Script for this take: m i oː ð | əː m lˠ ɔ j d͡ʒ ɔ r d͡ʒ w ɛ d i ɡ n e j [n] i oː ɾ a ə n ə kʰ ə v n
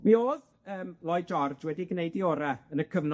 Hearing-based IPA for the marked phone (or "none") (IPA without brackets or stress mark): d